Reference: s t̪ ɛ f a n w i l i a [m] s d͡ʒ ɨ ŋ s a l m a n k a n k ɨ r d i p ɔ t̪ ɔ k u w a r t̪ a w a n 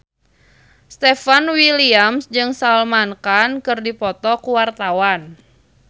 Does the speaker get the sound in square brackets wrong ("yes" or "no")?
no